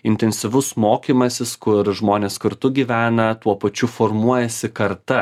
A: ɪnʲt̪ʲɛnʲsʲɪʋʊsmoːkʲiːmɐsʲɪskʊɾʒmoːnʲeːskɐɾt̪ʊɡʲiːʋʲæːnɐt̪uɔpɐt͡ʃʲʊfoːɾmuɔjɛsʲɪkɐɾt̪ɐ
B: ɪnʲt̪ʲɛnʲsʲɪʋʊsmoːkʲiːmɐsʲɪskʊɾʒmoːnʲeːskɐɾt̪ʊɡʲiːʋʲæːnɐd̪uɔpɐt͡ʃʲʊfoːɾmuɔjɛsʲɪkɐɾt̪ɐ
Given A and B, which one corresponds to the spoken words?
A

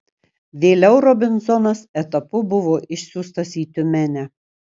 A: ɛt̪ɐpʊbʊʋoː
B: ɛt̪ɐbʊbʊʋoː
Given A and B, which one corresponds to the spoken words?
A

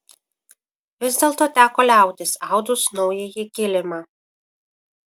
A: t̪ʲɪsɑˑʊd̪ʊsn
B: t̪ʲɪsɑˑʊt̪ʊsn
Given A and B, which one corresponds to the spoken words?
A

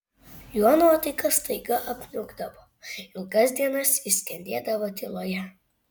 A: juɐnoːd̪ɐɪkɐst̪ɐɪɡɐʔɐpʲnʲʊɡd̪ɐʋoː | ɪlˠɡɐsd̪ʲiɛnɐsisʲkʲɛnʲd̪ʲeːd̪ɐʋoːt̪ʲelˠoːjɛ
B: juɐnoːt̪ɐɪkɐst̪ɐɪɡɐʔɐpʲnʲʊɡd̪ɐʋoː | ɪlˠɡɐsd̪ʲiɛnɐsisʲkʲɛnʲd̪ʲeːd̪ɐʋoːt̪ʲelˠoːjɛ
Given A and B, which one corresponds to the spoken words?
B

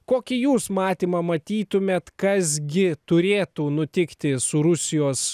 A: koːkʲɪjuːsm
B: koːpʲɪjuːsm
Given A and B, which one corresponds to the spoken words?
A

